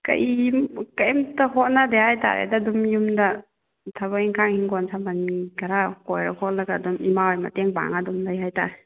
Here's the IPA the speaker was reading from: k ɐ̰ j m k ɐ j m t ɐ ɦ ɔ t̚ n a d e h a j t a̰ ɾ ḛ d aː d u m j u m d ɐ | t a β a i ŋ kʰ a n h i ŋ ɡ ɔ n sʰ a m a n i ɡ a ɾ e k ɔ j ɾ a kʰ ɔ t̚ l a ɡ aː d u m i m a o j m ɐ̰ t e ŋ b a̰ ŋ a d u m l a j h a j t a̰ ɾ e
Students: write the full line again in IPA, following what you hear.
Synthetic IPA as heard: k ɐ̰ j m k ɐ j m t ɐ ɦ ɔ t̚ n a d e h a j t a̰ ɾ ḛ d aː d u m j u m d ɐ | tʰ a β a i ŋ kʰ a ŋ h i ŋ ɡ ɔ n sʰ a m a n i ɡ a ɾ a k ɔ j ɾ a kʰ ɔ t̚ l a ɡ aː d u m i m a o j m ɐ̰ t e ŋ b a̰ ŋ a d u m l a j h a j t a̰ ɾ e